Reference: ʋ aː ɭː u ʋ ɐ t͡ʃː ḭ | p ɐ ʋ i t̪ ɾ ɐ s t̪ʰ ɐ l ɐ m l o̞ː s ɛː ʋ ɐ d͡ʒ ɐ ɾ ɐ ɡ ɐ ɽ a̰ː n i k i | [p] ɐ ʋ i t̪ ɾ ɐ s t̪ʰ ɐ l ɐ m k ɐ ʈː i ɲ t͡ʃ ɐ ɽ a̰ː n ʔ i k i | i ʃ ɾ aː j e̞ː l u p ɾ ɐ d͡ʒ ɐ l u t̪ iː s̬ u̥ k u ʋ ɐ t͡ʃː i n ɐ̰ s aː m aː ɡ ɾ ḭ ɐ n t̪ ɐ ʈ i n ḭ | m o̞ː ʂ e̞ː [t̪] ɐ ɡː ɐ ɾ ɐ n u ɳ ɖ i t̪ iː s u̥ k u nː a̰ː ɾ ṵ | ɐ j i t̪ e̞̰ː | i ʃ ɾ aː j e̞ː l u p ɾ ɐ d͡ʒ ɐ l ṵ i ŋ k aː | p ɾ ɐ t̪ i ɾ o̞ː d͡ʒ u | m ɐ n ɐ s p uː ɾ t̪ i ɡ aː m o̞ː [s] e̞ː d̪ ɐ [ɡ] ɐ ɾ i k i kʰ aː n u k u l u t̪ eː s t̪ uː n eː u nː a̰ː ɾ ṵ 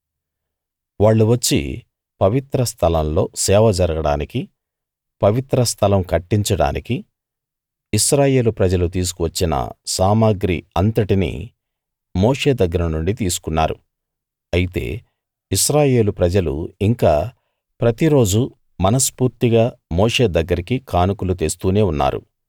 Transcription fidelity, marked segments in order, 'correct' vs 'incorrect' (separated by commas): correct, incorrect, incorrect, incorrect